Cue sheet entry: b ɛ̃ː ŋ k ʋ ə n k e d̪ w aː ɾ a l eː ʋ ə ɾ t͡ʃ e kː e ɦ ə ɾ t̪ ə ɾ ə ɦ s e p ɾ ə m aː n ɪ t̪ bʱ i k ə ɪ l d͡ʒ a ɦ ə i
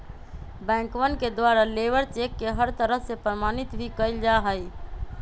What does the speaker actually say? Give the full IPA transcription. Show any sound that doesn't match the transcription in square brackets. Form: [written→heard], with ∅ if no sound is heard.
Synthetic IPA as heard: b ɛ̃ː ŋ k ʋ ə n k e d̪ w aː ɾ a l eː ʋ ə ɾ t͡ʃ e kː e ɦ ə ɾ t̪ ə ɾ ə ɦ s e p ɾ ə m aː n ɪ t̪ bʱ i k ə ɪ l d͡ʒ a ɦ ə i

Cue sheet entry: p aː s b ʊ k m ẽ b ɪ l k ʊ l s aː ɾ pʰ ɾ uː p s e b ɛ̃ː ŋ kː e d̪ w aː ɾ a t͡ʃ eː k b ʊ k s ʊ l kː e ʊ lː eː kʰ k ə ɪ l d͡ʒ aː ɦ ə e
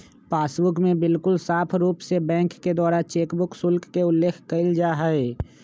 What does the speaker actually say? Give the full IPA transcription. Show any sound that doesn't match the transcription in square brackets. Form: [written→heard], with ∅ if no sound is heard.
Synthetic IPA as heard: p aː s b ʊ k m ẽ b ɪ l k ʊ l s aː [ɾ→∅] pʰ ɾ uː p s e b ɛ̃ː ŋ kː e d̪ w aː ɾ a t͡ʃ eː k b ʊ k s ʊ l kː e ʊ lː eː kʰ k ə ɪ l d͡ʒ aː ɦ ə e

